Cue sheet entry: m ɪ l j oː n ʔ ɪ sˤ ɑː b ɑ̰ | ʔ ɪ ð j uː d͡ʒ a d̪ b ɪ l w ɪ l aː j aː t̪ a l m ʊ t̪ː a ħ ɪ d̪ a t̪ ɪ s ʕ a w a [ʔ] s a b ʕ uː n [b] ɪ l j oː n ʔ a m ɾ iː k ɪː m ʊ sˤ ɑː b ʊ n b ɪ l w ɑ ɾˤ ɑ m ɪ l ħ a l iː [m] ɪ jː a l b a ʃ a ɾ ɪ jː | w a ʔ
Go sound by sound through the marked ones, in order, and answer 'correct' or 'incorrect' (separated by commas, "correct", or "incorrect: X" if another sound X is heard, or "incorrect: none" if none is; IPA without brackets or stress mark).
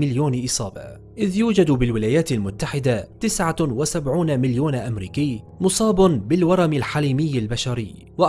incorrect: none, incorrect: m, correct